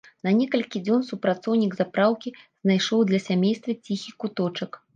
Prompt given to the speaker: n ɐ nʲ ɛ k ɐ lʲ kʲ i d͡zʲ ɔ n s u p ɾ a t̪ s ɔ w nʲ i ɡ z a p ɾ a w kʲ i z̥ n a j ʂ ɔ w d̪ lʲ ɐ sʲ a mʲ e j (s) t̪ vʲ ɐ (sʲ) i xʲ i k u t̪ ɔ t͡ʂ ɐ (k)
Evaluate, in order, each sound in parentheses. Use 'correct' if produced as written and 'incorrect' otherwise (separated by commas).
correct, incorrect, correct